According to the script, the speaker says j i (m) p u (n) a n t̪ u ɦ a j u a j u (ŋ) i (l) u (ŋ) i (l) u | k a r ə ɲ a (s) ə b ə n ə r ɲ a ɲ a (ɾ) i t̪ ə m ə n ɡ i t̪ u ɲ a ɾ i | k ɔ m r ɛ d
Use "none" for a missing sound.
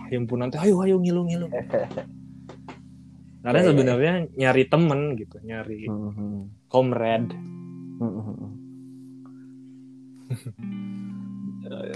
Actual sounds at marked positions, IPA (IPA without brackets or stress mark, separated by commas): m, n, ŋ, l, ŋ, l, s, ɾ